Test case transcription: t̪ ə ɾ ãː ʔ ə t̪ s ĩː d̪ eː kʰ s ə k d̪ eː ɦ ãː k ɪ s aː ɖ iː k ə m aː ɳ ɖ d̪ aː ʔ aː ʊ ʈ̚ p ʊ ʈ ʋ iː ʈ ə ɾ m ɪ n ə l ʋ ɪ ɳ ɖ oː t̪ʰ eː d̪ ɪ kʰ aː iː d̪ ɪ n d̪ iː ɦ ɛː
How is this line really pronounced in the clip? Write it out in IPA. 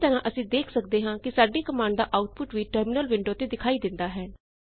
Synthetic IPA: t̪ ə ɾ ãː ʔ ə s ĩː d̪ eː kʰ s ə k d̪ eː ɦ ãː k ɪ s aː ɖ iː k ə m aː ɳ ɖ d̪ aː ʔ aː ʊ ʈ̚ p ʊ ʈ ʋ iː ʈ ə ɾ m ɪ n ə l ʋ ɪ ɳ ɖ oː t̪ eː d̪ ɪ kʰ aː iː d̪ ɪ n d̪ aː ɦ ɛː